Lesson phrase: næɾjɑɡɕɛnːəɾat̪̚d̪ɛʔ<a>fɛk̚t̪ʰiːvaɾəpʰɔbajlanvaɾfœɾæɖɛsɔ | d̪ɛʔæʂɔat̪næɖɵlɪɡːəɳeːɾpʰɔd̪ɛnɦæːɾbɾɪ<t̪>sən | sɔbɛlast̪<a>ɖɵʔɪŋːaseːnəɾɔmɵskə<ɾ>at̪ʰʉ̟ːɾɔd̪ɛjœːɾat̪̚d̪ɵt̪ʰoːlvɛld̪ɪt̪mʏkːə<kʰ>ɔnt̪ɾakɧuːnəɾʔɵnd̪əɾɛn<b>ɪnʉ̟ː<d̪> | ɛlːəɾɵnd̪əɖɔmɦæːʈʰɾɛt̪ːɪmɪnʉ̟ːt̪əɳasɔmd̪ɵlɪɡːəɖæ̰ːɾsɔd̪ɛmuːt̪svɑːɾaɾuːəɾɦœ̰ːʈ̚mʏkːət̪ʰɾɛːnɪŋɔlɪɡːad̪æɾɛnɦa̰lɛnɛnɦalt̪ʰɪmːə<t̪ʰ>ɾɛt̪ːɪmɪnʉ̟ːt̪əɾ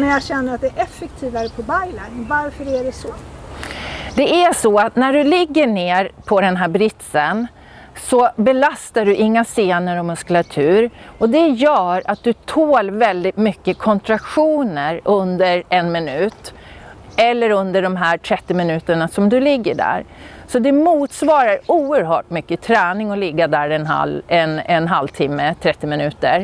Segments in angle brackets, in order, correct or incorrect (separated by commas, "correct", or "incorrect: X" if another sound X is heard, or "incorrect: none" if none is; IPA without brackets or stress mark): incorrect: ɛ, correct, correct, incorrect: l, correct, incorrect: m, incorrect: t̪, correct